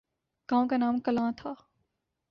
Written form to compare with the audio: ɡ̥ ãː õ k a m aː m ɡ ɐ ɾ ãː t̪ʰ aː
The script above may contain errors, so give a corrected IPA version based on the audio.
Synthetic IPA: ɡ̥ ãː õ k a n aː m k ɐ l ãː t̪ʰ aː